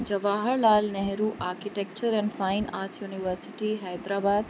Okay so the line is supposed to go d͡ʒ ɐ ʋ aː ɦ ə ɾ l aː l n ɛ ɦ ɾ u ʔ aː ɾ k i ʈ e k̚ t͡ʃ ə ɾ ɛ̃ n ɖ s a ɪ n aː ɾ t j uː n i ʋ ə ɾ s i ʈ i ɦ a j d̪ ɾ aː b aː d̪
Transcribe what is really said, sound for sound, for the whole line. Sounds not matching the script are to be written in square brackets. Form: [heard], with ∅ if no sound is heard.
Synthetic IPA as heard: d͡ʒ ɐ ʋ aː ɦ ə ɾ l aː l n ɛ ɦ ɾ u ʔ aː ɾ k i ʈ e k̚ t͡ʃ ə ɾ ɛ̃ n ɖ [f] a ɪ n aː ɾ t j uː n i ʋ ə ɾ s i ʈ i ɦ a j d̪ ɾ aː b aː d̪